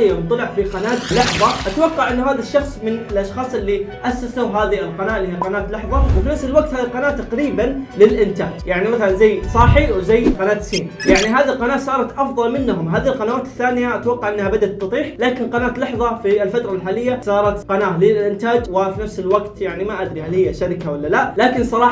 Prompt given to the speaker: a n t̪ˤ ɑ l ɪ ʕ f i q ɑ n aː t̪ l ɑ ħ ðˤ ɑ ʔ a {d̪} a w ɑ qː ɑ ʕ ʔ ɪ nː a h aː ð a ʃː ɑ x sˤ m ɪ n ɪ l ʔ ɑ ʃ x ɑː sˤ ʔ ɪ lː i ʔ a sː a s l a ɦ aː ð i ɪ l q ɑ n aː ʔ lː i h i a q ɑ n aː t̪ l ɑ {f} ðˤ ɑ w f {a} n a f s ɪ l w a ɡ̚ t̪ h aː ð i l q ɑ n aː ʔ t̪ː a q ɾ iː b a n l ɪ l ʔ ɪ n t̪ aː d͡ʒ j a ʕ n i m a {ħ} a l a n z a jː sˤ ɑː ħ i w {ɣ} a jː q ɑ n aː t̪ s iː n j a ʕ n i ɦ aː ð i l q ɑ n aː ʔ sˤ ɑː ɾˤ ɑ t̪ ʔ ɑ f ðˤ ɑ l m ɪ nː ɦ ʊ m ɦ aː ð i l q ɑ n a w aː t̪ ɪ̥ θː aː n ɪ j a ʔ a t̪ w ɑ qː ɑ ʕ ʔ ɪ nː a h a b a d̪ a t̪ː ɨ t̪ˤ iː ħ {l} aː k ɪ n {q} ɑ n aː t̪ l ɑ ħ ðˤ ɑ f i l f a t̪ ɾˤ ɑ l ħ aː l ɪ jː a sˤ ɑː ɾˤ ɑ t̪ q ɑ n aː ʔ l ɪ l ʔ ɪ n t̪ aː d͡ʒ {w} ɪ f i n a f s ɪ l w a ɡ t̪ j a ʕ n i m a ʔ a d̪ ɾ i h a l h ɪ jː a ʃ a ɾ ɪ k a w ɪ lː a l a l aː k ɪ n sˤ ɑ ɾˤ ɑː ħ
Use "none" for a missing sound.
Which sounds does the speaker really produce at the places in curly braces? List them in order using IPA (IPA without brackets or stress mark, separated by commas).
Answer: t̪, ħ, i, θ, z, l, q, w